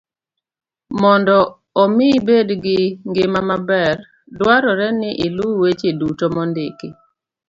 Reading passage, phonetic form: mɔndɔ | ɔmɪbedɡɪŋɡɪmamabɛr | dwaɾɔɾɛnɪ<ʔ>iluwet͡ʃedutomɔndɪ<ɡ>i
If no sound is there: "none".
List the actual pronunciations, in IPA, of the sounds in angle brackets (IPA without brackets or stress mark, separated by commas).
ʔ, k